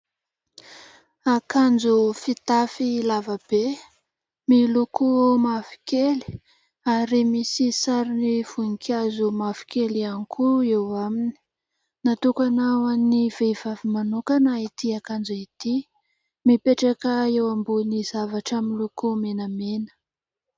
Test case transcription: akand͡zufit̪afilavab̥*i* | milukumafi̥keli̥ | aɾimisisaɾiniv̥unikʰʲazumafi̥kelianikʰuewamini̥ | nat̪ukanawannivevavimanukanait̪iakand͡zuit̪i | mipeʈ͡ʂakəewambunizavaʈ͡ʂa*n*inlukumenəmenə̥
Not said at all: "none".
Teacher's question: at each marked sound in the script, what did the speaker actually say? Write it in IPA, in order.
e, m

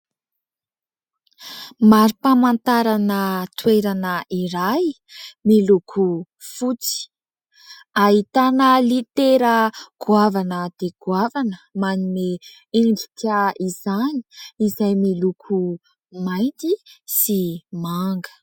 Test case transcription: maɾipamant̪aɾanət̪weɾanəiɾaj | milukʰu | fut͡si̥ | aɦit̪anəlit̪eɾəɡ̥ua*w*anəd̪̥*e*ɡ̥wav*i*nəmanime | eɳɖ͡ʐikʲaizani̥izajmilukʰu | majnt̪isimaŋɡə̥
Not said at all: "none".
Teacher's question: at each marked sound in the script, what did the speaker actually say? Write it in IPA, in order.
v, e, a

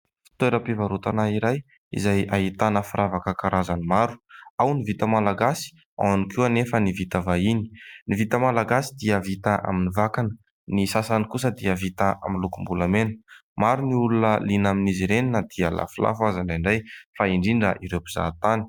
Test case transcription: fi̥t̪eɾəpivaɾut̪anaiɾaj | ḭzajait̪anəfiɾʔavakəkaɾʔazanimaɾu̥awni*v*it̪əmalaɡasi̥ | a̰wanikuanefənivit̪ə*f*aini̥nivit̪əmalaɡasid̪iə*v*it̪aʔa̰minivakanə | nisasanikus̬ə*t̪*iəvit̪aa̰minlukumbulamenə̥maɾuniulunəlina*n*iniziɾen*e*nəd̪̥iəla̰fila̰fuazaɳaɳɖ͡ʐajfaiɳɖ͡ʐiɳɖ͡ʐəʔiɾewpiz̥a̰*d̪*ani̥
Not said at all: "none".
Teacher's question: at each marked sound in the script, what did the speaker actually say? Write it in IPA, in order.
v, v, v, d̪, m, i, t̪

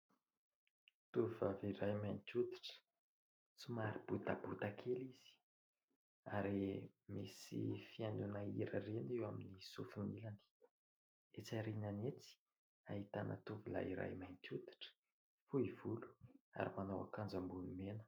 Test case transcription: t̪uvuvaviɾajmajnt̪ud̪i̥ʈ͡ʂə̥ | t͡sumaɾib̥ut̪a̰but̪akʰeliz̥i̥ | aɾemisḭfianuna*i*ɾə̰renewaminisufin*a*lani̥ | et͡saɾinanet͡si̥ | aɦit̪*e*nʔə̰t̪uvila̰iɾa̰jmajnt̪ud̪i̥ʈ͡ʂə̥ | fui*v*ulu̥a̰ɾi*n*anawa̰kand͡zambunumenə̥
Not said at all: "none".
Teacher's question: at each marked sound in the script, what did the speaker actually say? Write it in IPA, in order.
i, i, a, v, m

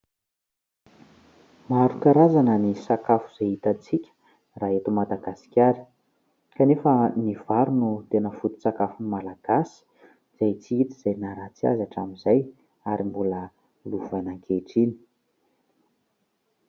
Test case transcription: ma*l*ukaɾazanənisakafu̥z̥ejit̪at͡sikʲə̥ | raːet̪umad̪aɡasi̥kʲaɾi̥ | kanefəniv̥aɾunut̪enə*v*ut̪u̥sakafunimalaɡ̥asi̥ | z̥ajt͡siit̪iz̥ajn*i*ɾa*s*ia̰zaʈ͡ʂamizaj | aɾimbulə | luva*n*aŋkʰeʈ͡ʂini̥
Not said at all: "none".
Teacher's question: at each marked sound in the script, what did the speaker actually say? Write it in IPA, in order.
ɾ, f, a, t͡s, n

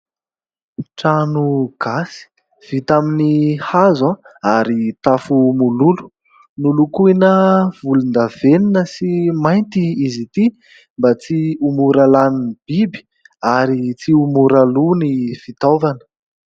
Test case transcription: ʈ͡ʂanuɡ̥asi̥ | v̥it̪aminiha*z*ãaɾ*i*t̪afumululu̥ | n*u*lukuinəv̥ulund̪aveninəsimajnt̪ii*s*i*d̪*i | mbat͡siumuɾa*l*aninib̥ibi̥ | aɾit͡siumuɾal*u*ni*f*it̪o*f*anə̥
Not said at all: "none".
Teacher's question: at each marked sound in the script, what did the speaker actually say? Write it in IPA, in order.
z, i, u, z, t̪, l, u, f, v

